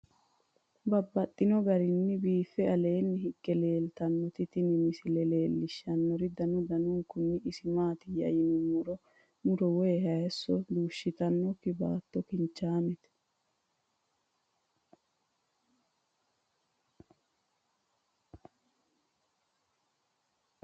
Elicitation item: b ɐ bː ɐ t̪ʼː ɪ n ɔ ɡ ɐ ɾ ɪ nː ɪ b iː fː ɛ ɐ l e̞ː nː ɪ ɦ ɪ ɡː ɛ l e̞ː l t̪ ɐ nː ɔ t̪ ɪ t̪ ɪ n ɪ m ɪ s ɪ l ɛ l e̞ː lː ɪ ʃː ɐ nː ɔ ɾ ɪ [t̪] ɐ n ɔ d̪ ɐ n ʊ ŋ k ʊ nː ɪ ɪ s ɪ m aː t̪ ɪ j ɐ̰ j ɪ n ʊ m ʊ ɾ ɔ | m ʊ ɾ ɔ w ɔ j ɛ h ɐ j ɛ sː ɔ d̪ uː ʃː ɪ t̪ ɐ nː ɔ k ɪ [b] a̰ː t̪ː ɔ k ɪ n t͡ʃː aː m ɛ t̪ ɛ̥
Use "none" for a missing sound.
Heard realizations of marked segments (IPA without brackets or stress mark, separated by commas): d̪, b